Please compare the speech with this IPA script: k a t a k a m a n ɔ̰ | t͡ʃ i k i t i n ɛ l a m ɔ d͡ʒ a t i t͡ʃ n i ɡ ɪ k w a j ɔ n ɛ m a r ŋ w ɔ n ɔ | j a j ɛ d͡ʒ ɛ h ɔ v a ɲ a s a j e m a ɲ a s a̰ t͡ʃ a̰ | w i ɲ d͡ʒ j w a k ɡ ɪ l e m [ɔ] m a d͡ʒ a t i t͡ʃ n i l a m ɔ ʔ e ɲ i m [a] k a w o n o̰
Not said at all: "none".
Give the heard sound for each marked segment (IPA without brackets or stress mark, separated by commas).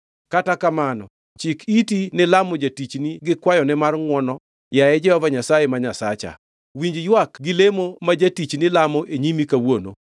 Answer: o, i